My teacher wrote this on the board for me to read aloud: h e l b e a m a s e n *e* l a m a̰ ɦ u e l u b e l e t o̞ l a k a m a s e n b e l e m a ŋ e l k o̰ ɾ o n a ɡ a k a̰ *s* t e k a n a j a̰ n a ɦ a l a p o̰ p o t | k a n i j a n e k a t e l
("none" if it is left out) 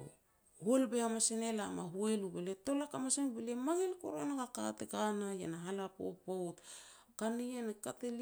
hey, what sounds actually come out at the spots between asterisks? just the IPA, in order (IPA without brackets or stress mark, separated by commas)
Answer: e, none